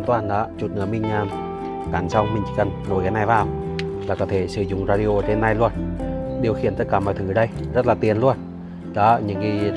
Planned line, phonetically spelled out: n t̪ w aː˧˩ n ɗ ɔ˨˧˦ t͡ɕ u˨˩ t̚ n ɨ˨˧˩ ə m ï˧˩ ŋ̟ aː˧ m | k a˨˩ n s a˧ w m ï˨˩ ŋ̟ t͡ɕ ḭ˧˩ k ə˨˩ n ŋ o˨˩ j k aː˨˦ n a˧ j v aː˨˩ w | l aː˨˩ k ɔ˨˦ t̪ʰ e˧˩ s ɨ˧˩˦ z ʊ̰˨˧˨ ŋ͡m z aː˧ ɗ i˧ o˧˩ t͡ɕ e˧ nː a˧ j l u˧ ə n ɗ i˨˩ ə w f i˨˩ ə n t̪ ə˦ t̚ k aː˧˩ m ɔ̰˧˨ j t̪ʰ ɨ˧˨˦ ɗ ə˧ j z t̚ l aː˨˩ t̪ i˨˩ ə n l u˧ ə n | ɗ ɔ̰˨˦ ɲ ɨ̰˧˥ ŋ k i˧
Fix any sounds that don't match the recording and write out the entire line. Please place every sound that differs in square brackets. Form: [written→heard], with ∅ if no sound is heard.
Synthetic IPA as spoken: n t̪ w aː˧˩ n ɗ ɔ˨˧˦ t͡ɕ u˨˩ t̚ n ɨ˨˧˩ ə m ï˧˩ ŋ̟ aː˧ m | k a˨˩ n s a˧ w m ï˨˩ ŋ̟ t͡ɕ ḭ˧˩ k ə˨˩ n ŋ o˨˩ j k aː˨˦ n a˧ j v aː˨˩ w | l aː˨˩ k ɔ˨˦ t̪ʰ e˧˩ s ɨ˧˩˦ z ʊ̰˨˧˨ ŋ͡m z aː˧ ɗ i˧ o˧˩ t͡ɕ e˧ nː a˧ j l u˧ ə n ɗ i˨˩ ə w [f→x] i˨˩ ə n t̪ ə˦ t̚ k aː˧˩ m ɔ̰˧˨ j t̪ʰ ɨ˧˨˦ ɗ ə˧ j z t̚ l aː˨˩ t̪ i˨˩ ə n l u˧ ə n | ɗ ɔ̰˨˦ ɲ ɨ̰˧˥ ŋ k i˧